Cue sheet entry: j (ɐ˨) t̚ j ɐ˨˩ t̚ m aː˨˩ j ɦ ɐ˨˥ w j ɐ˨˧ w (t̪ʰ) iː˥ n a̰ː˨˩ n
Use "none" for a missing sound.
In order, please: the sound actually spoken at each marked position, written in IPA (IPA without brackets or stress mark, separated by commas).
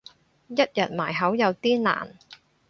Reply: ɐ˥, t̪